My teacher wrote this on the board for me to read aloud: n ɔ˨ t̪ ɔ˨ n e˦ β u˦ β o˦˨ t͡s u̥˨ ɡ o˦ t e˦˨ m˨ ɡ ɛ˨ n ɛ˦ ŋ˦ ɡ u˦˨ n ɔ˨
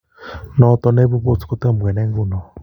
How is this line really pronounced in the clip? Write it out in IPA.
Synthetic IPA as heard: n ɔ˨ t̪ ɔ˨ n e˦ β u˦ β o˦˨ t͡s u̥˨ k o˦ t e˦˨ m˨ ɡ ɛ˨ n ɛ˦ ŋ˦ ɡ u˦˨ n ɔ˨